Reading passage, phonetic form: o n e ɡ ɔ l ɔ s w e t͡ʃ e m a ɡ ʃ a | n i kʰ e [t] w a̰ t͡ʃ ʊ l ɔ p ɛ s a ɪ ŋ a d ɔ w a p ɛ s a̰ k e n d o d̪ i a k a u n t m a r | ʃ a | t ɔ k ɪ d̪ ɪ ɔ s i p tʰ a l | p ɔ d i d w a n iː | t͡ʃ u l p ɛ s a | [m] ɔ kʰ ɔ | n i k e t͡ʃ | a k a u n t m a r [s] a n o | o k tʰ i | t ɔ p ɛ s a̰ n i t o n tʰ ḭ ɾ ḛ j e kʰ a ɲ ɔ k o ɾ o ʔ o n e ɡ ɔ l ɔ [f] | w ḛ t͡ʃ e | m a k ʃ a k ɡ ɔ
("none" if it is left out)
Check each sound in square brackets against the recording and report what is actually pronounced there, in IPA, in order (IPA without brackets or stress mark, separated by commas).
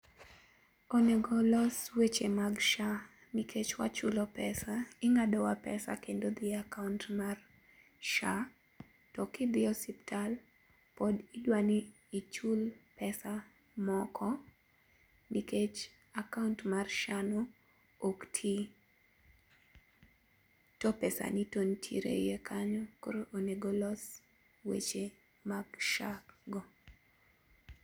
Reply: t͡ʃ, m, ʃ, s